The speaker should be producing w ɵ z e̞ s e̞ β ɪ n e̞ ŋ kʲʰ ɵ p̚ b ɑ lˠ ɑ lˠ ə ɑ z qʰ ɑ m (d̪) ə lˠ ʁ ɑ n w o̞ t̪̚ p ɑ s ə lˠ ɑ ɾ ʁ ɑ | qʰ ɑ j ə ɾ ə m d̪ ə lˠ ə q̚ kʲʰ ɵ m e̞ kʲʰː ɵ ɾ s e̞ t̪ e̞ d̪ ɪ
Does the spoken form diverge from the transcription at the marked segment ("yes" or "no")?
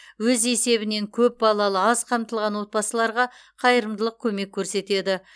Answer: yes